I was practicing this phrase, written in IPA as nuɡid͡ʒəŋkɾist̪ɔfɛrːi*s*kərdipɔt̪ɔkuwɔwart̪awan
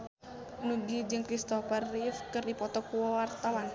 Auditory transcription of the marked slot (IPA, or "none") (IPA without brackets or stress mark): f